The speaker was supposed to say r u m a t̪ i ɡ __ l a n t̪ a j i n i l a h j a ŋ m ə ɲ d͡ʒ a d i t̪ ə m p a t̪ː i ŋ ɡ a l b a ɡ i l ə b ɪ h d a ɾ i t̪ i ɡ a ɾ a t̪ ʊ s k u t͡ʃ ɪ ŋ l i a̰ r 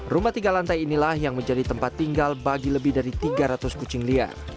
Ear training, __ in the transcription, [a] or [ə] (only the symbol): a